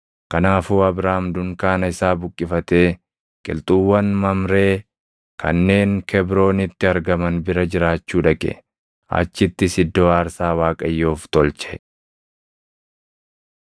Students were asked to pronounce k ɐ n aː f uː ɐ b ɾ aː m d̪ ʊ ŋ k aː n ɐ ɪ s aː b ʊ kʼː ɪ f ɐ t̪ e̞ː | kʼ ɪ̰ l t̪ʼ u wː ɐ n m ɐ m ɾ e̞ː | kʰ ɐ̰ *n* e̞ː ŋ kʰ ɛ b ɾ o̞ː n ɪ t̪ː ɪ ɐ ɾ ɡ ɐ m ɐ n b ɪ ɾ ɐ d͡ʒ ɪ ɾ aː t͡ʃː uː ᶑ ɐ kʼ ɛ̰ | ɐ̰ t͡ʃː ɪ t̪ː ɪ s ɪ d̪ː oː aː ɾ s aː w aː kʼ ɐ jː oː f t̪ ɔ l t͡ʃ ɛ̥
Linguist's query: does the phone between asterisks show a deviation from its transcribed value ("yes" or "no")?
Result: yes